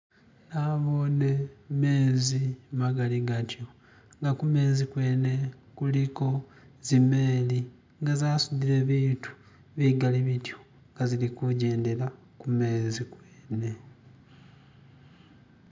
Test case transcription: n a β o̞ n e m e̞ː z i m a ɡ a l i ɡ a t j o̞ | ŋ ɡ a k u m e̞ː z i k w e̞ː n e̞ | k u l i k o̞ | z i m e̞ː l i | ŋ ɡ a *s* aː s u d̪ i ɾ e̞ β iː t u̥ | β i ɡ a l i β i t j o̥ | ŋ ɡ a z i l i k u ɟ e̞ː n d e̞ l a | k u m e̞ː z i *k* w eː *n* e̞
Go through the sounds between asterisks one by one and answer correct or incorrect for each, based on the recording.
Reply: incorrect: z, correct, correct

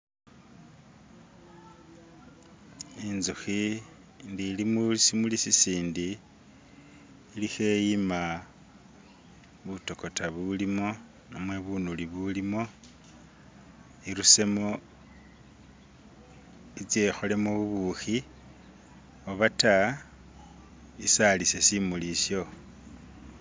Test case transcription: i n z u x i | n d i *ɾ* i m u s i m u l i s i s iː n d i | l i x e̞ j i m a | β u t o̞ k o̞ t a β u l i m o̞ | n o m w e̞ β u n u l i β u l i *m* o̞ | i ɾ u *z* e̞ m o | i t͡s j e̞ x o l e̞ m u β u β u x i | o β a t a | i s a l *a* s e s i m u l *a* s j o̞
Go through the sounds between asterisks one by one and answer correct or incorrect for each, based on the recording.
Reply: incorrect: l, correct, incorrect: s, incorrect: i, incorrect: i

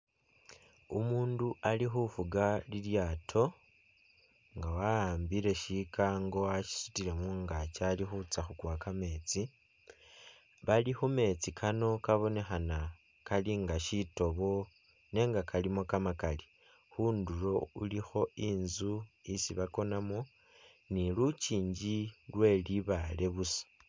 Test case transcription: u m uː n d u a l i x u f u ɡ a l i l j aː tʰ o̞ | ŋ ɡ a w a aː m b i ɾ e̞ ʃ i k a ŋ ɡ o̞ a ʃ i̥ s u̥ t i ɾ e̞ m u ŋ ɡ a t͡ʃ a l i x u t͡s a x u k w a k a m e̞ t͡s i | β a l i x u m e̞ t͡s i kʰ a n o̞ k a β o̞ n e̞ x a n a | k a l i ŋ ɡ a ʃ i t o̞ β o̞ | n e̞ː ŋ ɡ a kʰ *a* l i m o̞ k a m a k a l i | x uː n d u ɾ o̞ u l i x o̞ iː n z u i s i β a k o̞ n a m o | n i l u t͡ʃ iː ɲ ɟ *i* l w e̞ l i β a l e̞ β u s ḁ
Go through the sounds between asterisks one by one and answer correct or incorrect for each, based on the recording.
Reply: correct, correct

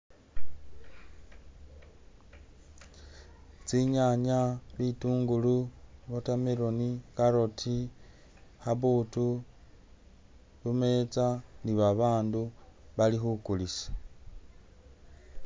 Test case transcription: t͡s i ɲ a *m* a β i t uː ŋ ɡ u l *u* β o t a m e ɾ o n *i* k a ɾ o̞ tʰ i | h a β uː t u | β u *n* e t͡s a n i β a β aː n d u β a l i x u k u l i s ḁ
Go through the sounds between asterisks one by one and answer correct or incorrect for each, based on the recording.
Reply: incorrect: ɲ, correct, correct, incorrect: m

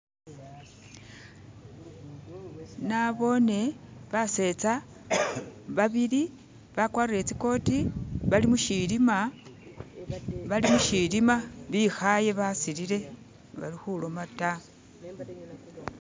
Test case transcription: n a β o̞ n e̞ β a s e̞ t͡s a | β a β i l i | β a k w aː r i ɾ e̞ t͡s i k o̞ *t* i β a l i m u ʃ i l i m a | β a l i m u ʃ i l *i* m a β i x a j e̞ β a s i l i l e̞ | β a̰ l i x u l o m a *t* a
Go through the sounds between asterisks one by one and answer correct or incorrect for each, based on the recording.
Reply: correct, correct, correct

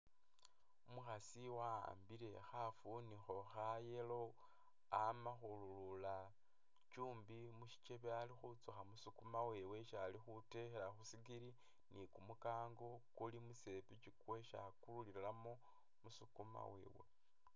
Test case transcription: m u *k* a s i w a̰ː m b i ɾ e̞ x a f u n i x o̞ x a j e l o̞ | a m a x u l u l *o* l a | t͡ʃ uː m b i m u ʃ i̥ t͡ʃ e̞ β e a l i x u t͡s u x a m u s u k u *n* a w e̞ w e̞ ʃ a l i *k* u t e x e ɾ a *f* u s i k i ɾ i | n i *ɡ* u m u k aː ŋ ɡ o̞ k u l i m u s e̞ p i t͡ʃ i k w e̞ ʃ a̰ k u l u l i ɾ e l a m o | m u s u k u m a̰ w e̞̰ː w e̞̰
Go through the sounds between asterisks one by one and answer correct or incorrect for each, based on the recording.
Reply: incorrect: x, incorrect: u, incorrect: m, incorrect: x, incorrect: x, incorrect: k

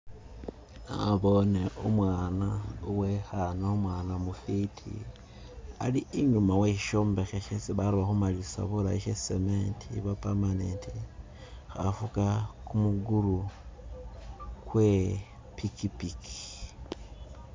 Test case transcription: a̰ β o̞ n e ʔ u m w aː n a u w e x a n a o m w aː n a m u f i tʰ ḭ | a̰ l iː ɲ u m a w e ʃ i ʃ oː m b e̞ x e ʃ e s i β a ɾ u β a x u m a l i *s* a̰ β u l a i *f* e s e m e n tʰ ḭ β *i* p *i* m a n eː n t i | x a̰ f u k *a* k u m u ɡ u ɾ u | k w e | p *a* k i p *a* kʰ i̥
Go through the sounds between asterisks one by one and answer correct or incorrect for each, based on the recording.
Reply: correct, incorrect: ʃ, incorrect: a, incorrect: a, correct, incorrect: i, incorrect: i

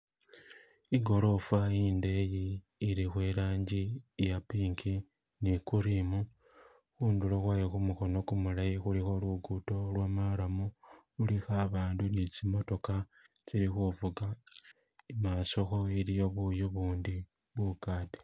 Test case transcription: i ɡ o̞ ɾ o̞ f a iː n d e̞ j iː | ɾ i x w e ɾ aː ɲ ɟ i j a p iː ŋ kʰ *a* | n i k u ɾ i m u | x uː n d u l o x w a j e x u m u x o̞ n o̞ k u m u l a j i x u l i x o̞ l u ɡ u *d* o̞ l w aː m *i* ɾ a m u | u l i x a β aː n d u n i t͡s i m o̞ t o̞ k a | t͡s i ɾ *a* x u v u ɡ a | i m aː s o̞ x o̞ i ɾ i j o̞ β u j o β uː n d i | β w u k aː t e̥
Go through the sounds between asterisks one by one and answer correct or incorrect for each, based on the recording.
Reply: incorrect: i, incorrect: t, incorrect: a, incorrect: i

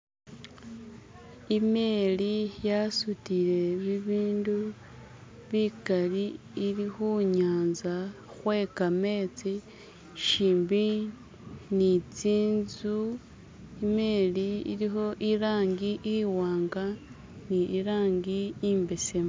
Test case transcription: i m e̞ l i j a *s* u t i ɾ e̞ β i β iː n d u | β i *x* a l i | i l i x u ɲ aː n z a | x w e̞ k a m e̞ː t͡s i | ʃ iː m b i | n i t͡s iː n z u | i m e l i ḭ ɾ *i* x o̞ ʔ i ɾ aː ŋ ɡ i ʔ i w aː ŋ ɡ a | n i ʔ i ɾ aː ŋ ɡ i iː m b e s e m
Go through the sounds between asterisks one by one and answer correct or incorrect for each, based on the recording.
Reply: correct, incorrect: k, correct

